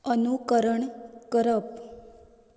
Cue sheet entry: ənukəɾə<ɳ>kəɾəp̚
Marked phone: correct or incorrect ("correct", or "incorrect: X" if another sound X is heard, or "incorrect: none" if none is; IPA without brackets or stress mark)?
correct